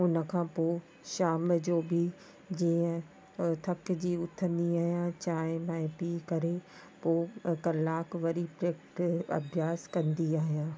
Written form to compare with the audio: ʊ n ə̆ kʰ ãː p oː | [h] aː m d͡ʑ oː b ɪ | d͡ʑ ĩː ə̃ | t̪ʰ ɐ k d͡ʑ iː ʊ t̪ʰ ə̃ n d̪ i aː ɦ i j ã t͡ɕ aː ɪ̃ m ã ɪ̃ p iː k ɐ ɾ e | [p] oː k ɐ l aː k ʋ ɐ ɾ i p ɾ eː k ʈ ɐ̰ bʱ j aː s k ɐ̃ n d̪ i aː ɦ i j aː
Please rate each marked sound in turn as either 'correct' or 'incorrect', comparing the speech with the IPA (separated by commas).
incorrect, correct